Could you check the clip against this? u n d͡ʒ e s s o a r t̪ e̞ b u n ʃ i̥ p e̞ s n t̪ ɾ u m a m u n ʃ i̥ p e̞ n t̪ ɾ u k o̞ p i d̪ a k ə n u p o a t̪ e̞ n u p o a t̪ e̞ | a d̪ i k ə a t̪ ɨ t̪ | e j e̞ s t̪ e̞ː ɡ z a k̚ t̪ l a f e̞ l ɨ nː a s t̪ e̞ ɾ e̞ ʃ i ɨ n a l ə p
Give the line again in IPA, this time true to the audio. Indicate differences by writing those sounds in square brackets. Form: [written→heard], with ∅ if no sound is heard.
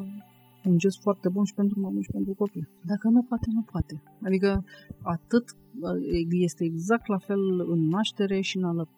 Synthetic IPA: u n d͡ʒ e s [s→f] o a r t̪ e̞ b u n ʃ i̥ p e̞ [s→∅] n t̪ ɾ u m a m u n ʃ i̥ p e̞ n t̪ ɾ u k o̞ p i d̪ a k ə n u p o a t̪ e̞ n u p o a t̪ e̞ | a d̪ i k ə a t̪ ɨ t̪ | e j e̞ s t̪ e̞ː ɡ z a k̚ t̪ l a f e̞ l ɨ nː a [s→ʃ] t̪ e̞ ɾ e̞ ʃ i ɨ n a l ə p